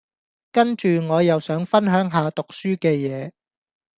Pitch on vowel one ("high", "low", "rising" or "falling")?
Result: high